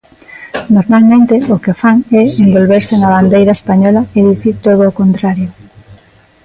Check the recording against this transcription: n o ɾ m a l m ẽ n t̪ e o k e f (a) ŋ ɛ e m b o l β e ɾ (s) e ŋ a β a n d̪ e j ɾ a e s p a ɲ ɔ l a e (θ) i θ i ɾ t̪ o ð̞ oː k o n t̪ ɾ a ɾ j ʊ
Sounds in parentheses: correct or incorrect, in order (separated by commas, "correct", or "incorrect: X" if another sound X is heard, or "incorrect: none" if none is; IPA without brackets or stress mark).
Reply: correct, correct, incorrect: ð